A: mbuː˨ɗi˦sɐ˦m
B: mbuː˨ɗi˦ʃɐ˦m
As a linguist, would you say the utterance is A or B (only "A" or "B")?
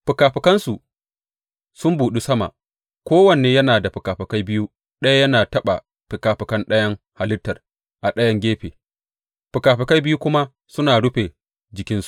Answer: A